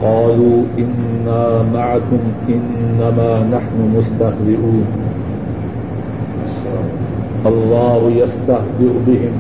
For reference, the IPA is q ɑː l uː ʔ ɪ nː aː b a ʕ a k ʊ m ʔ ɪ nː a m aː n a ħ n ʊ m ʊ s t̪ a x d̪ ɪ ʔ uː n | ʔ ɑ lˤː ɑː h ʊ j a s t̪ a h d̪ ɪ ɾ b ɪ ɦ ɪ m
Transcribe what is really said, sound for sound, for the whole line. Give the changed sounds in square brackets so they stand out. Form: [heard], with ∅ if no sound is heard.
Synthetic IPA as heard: q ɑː l uː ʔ ɪ nː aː [m] a ʕ a k ʊ m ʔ ɪ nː a m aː n a ħ n ʊ m ʊ s t̪ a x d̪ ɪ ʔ uː n | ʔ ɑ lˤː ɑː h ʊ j a s t̪ a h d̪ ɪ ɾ b ɪ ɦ ɪ m